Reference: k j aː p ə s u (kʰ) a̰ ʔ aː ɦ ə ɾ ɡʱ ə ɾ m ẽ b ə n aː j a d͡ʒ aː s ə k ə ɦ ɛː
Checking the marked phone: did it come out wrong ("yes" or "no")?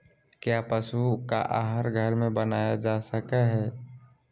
yes